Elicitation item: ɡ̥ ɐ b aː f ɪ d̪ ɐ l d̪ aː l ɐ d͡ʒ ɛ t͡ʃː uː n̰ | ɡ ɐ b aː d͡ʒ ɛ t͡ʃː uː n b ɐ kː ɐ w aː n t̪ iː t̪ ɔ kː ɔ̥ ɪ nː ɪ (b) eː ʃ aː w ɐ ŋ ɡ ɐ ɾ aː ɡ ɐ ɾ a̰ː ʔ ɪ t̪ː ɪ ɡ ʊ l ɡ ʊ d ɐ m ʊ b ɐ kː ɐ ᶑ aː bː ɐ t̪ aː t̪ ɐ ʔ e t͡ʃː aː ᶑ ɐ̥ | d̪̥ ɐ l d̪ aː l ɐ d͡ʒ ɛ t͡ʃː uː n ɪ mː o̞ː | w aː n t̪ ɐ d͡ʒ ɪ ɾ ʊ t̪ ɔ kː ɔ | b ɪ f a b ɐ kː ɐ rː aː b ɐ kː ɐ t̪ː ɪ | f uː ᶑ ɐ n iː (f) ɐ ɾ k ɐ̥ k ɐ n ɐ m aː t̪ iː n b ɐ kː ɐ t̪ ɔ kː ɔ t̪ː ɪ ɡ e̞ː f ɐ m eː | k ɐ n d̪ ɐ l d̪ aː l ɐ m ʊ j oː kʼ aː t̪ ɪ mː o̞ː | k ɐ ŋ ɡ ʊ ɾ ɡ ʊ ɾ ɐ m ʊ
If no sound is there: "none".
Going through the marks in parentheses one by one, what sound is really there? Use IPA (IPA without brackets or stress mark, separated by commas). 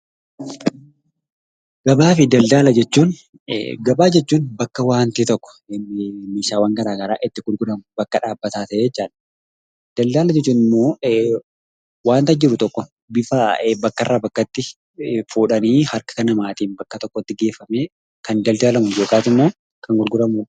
m, h